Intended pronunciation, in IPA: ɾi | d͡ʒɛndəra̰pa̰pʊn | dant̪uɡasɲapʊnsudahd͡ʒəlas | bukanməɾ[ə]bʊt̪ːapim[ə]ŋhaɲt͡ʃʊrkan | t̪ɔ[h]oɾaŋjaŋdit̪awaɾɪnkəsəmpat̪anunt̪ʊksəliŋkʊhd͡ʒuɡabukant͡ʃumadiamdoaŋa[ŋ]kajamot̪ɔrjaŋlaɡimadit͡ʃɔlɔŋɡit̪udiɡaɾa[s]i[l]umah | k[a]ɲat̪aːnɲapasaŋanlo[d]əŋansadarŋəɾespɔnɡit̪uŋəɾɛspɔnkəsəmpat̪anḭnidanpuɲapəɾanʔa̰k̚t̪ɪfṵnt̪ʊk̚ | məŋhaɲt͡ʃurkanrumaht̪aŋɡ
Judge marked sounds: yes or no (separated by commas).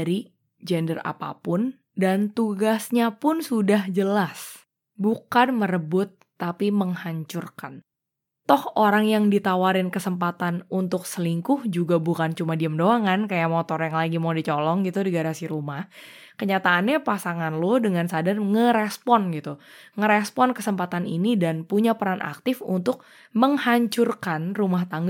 yes, yes, yes, no, yes, no, no, yes